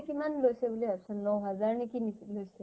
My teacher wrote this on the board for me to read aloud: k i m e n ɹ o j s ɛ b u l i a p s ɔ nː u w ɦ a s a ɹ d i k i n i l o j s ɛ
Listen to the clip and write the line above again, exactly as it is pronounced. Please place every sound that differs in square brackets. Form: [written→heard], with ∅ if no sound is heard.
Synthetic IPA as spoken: k i m [e→a] n [ɹ→l] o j s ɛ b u l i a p s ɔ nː [u→ɔ] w ɦ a [s→z] a ɹ [d→n] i k i n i l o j s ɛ